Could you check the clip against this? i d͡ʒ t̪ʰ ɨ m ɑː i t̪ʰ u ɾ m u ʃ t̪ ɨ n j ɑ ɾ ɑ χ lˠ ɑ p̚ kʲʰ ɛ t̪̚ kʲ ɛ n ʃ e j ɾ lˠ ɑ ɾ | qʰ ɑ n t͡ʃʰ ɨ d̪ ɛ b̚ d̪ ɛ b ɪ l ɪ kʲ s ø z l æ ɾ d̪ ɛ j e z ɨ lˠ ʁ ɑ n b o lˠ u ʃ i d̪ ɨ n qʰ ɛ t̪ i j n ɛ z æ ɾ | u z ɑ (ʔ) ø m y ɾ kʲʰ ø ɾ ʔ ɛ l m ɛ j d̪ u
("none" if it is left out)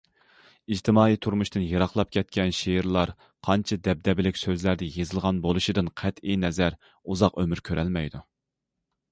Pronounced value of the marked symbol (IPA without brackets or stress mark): q